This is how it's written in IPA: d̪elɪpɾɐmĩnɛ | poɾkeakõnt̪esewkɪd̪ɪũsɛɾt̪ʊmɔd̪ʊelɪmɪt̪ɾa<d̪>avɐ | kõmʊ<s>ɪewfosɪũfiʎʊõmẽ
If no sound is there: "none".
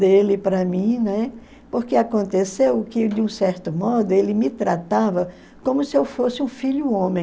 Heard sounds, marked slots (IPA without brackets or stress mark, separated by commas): t̪, s